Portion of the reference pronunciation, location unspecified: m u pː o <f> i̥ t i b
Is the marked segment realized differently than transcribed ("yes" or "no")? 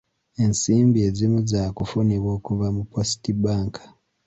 yes